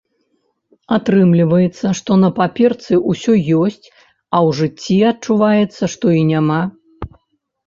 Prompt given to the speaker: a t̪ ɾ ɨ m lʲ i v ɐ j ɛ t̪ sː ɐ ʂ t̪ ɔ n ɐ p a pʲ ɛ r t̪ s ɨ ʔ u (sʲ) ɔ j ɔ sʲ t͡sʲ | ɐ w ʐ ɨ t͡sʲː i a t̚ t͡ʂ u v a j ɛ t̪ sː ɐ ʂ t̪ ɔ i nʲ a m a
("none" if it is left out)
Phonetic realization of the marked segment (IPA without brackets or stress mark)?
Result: sʲ